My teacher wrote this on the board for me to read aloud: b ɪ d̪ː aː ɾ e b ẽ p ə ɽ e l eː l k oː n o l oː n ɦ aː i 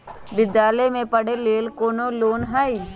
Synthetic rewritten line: b ɪ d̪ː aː l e m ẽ p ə ɽ e l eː l k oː n o l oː n ɦ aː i

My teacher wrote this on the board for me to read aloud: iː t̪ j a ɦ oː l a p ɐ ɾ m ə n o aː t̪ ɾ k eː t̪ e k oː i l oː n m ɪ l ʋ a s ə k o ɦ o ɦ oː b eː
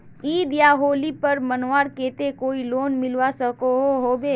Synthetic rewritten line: iː d̪ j a ɦ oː l i p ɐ ɾ m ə n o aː ɾ k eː t̪ e k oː i l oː n m ɪ l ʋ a s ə k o ɦ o ɦ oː b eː

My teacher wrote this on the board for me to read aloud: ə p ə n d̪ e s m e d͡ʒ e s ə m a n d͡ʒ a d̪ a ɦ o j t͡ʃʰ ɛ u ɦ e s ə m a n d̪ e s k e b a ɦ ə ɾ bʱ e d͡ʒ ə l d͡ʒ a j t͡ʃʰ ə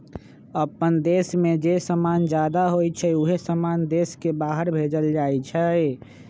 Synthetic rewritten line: ə p ə n d̪ e s m e d͡ʒ e s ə m a n d͡ʒ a d̪ a ɦ o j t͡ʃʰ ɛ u ɦ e s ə m a n d̪ e s k e b a ɦ ə ɾ bʱ e d͡ʒ ə l d͡ʒ a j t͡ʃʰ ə

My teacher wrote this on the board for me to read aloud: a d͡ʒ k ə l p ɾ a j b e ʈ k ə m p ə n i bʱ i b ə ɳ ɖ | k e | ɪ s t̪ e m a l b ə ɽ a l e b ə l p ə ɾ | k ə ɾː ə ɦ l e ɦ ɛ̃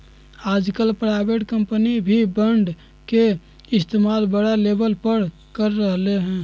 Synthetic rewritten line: a d͡ʒ k ə l p ɾ a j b e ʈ k ə m p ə n i bʱ i b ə ɳ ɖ | k e | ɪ s t̪ e m a l b ə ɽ a l e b ə l p ə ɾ | k ə ɾː ə ɦ l e ɦ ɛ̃

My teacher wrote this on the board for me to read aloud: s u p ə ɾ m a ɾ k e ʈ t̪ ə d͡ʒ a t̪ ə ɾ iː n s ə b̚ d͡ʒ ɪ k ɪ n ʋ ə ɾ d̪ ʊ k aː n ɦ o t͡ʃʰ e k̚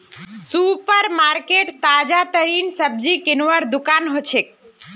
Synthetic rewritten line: s u p ə ɾ m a ɾ k e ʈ t̪ a d͡ʒ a t̪ ə ɾ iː n s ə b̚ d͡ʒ i k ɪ n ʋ ə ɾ d̪ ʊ k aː n ɦ o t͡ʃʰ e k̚

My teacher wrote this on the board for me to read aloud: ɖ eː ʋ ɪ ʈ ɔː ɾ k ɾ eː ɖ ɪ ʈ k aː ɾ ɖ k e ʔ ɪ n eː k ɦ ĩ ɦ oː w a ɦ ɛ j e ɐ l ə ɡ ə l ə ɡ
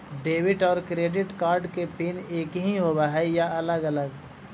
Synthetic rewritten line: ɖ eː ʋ ɪ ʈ ɔː ɾ k ɾ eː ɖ ɪ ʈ k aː ɾ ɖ k e p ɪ n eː k ɦ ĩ ɦ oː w a ɦ ɛ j a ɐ l ə ɡ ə l ə ɡ

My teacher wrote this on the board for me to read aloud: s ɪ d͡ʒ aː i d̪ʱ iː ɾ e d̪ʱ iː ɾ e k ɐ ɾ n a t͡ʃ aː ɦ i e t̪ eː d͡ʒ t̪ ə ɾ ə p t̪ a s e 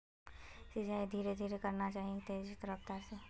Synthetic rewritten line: s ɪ d͡ʒ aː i d̪ʱ iː ɾ e d̪ʱ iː ɾ e k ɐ ɾ n a t͡ʃ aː ɦ i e t̪ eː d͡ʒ t̪ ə ɾ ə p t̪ a s e

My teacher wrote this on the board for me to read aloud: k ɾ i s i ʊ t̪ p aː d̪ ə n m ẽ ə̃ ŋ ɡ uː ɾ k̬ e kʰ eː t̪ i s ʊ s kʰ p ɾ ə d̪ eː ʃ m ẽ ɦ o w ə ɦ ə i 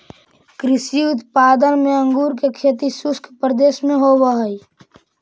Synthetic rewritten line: k ɾ ɪ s i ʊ t̪ p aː d̪ ə n m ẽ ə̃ ŋ ɡ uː ɾ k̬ e kʰ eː t̪ i s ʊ s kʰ p ɾ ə d̪ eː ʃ m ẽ ɦ o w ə ɦ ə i

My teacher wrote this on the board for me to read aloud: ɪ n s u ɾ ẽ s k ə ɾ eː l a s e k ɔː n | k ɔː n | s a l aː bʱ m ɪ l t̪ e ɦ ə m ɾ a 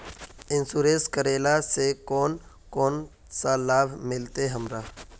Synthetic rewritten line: ɪ n s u ɾ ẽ s k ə ɾ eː l a s e k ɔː n | k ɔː n | s a l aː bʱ m ɪ l t̪ e ɦ ə m ɾ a

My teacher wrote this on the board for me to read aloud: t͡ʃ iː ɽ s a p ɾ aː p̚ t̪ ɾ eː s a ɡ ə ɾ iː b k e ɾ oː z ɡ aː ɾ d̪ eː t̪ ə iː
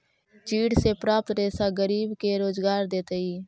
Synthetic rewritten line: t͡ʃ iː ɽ s e p ɾ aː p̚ t̪ ɾ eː s a ɡ ə ɾ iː b k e ɾ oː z ɡ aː ɾ d̪ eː t̪ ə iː

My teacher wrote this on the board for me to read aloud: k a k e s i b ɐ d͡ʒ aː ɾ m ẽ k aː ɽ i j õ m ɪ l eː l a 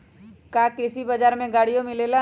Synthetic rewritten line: k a k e s i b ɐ d͡ʒ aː ɾ m ẽ ɡ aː ɽ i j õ m ɪ l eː l a

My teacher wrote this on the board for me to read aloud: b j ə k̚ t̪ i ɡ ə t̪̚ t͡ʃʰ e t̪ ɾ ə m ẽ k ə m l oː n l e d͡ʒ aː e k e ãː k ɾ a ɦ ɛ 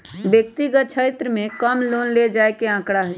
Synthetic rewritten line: b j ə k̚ t̪ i ɡ ə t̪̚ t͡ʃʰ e t̪ ɾ ə m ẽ k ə m l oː n l e d͡ʒ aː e k e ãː k ɽ a ɦ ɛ

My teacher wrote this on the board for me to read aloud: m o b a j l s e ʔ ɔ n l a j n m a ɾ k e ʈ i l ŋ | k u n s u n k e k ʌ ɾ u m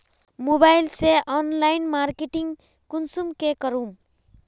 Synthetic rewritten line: m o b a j l s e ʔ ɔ n l a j n m a ɾ k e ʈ i ŋ | k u n s u m k e k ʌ ɾ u m

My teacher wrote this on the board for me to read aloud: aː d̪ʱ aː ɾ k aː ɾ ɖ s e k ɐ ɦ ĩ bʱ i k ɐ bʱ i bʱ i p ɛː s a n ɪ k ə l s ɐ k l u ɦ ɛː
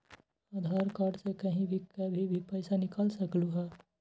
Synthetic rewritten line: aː d̪ʱ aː ɾ k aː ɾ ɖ s e k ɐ ɦ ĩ bʱ i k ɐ bʱ i bʱ i p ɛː s a n ɪ k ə l s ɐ k l u ɦ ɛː

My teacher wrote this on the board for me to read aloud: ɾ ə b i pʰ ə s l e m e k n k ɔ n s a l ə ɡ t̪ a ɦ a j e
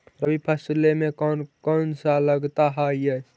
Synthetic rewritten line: ɾ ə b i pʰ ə s l e m e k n k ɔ n s a l ə ɡ t̪ a ɦ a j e

